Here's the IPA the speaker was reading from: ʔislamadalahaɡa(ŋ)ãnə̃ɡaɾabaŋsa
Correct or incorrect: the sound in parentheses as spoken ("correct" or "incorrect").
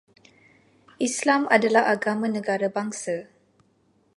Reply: incorrect